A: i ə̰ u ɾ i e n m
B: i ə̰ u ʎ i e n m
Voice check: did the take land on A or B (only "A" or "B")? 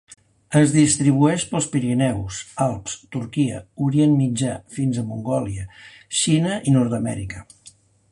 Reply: A